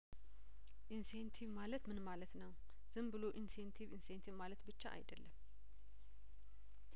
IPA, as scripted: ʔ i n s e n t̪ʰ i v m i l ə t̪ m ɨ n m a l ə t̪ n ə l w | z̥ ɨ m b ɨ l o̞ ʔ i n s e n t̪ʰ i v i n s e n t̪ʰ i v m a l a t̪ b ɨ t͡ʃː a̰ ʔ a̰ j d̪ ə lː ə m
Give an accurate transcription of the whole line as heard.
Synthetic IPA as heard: ʔ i n s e n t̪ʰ i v m a l ə t̪ m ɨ n m a l ə t̪ n ə w | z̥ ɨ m b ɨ l o̞ ʔ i n s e n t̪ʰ i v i n s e n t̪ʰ i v m a l ə t̪ b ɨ t͡ʃː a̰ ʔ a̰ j d̪ ə lː ə m